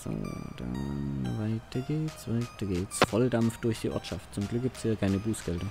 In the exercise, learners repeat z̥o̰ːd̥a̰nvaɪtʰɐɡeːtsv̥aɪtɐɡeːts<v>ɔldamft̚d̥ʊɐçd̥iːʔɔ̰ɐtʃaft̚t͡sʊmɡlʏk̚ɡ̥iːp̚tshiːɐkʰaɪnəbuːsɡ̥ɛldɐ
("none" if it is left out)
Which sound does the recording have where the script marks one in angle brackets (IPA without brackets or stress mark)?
f